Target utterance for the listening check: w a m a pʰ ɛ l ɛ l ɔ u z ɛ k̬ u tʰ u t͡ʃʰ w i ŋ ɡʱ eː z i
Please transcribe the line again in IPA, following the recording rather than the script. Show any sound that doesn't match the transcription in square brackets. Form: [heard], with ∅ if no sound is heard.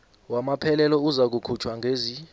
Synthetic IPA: w a m a pʰ ɛ l ɛ l ɔ u z [a] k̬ u [kʰ] u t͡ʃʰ w [a] ŋ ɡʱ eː z i